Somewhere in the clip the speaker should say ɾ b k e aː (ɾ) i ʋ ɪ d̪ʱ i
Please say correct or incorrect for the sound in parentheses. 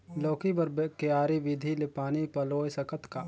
correct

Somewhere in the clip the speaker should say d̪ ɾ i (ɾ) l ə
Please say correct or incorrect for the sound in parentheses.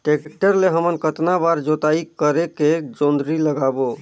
incorrect: none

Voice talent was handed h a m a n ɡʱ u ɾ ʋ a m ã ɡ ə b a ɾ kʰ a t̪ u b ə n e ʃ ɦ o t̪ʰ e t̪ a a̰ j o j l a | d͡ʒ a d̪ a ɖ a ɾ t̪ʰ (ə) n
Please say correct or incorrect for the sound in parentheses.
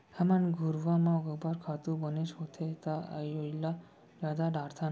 incorrect: a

